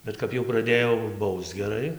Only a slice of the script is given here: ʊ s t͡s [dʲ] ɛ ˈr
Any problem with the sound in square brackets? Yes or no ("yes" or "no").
yes